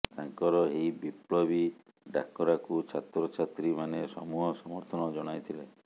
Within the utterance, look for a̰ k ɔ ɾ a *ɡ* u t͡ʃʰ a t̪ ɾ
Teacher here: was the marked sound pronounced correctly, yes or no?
no